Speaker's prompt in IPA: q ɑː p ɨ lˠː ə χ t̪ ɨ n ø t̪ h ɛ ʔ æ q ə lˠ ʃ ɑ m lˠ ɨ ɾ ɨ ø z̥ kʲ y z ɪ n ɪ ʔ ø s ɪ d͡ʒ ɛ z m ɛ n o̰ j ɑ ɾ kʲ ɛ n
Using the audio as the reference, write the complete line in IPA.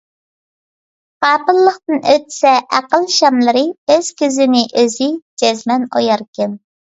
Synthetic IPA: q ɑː p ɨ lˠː ə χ t̪ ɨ n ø t̪ s ɛ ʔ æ q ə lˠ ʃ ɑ m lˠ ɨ ɾ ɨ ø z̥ kʲ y z ɪ n ɪ ʔ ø z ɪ d͡ʒ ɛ z m ɛ n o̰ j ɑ ɾ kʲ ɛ n